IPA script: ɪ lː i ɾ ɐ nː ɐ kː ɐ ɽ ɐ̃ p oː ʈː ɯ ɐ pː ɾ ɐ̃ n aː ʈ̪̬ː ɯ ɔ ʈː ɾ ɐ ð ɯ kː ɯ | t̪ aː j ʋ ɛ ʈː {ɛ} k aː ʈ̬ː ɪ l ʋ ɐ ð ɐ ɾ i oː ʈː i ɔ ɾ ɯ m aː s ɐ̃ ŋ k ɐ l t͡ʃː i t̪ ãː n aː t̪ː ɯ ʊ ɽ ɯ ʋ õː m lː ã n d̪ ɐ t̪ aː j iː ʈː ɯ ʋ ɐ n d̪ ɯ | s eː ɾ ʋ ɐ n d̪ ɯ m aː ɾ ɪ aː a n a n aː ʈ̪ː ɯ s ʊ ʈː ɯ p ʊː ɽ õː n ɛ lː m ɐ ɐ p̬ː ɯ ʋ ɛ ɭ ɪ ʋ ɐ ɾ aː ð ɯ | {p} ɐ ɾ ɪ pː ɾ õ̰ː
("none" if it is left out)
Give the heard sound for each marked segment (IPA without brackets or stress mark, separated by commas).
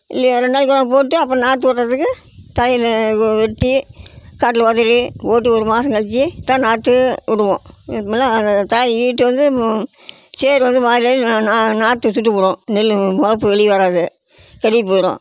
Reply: i, k